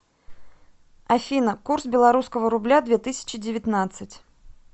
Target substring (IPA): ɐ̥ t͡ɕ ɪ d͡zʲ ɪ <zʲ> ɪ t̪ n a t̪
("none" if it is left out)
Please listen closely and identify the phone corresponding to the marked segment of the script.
vʲ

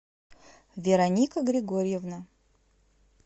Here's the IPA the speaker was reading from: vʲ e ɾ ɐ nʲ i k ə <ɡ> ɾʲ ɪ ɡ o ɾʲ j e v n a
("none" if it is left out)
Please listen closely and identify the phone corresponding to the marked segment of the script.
ɡ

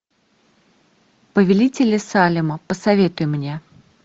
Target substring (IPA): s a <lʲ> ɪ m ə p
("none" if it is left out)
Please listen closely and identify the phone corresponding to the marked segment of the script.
lʲ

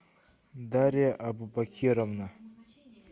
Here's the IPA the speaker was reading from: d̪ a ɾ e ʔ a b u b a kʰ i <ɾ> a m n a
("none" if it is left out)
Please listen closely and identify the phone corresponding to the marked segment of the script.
ɾ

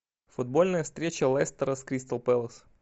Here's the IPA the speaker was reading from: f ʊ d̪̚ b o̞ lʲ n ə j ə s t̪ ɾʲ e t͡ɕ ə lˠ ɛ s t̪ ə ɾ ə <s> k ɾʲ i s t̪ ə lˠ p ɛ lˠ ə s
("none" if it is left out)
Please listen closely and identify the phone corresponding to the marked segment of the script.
s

